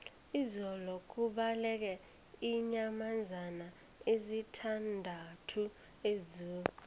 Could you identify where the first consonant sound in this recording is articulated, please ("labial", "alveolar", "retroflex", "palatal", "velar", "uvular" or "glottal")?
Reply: alveolar